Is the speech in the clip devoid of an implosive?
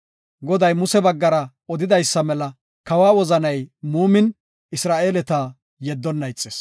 yes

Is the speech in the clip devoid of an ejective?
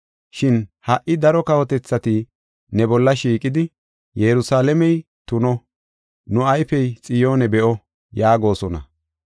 no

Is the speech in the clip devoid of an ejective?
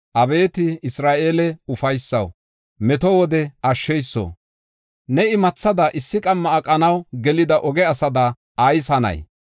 no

